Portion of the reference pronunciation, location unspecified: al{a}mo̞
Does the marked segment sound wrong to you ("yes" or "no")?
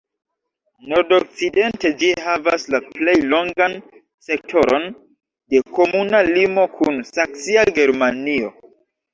yes